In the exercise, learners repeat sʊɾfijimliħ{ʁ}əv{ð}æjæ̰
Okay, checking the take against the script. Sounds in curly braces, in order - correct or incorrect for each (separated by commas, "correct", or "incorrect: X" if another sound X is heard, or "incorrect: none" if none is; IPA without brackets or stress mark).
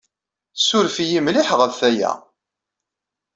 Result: correct, incorrect: θ